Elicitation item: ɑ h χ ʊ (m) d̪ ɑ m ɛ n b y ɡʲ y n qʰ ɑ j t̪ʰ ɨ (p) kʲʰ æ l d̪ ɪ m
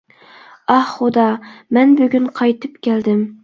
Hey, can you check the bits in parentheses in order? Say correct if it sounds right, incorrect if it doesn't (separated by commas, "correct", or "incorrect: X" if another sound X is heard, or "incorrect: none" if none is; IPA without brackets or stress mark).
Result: incorrect: none, correct